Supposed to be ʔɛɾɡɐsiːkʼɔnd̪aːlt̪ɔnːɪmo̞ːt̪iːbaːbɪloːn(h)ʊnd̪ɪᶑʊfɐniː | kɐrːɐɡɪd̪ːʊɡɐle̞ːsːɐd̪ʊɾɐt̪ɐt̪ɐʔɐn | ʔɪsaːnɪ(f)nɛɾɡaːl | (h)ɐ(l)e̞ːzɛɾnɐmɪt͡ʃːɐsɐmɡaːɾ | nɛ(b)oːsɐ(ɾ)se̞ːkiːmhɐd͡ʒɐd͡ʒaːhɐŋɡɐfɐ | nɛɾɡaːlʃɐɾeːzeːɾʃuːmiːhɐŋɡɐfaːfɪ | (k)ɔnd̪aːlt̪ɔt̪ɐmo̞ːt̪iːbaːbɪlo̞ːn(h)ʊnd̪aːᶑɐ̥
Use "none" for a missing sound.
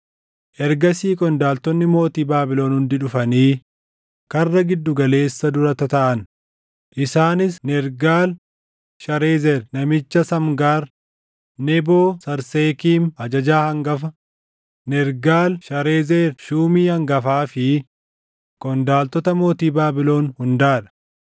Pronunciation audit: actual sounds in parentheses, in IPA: h, s, ʃ, ɾ, b, ɾ, k, h

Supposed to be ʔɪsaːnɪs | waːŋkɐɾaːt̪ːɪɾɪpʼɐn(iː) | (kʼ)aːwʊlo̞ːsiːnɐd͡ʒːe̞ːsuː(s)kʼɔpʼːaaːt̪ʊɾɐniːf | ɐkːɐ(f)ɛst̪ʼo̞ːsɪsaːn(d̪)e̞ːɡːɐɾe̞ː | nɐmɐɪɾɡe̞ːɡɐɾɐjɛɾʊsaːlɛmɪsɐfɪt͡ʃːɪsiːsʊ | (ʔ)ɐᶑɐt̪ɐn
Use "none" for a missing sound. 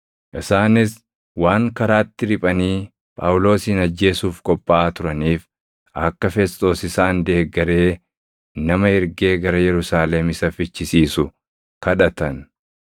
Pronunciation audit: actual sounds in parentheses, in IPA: iː, pʼ, f, f, d̪, k

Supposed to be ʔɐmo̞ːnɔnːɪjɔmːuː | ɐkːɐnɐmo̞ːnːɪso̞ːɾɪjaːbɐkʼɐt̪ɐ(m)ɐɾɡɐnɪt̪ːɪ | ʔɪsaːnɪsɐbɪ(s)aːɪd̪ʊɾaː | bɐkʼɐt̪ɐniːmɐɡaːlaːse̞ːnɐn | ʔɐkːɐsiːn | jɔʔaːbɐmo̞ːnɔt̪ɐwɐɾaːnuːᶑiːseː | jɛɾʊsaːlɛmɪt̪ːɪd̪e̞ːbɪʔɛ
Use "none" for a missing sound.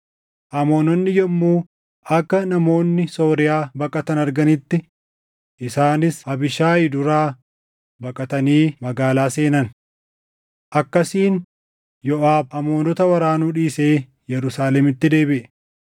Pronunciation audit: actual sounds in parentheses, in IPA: n, ʃ

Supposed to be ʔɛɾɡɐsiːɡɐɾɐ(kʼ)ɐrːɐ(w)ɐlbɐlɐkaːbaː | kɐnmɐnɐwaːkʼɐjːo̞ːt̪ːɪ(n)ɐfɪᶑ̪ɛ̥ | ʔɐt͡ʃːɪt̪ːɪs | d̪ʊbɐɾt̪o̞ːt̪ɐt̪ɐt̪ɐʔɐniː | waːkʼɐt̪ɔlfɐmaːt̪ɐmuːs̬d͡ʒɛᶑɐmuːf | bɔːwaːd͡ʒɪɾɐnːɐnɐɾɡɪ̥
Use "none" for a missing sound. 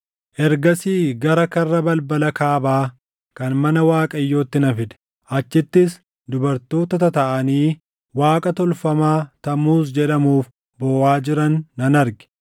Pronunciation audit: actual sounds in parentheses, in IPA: k, b, n

